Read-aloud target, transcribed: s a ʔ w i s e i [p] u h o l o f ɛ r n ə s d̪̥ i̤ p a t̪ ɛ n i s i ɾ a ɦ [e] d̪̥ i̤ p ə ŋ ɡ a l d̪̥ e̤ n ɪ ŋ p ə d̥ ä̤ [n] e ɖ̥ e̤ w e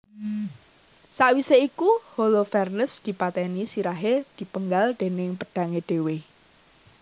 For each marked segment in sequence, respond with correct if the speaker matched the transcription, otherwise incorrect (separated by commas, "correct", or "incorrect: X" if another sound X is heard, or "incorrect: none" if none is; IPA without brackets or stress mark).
incorrect: k, correct, incorrect: ŋ